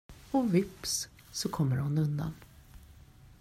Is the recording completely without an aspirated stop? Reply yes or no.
no